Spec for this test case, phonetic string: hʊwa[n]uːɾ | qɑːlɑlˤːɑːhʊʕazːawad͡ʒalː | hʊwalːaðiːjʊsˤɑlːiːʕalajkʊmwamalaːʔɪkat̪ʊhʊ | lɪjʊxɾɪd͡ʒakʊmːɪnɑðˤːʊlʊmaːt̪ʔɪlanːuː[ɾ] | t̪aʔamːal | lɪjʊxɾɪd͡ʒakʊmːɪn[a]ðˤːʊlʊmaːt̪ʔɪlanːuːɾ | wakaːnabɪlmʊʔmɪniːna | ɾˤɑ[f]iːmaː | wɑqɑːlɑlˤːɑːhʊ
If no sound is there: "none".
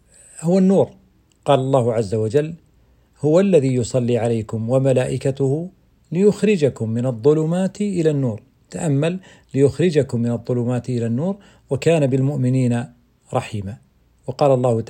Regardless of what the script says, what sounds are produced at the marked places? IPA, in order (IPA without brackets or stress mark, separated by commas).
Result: nː, ɾ, ɑ, ħ